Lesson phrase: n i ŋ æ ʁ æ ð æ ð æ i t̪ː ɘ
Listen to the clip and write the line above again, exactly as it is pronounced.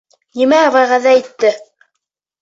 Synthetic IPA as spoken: n i m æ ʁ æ ʁ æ ð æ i t̪ː ɘ